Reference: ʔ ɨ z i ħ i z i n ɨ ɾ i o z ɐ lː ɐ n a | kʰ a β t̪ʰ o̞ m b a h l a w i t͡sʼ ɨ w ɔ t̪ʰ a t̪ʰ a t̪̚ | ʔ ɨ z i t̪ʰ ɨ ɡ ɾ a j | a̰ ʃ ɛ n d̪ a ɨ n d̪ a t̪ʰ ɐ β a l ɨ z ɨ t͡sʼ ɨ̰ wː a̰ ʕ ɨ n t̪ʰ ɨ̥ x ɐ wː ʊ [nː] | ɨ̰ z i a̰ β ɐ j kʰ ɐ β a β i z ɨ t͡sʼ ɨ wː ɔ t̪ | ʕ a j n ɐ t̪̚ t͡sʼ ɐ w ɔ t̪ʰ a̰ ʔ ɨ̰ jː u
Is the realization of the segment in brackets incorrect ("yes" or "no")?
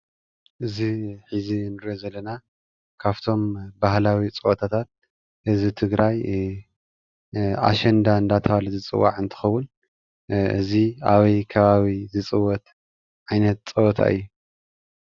yes